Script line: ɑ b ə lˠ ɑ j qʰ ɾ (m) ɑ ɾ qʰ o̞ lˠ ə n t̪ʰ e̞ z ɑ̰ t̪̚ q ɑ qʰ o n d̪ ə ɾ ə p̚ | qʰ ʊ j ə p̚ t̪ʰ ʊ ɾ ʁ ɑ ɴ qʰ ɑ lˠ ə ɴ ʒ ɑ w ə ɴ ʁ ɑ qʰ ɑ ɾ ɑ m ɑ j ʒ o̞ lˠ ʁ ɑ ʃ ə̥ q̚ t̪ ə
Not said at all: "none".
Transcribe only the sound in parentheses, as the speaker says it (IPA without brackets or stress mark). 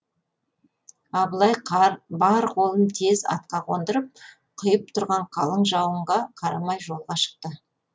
b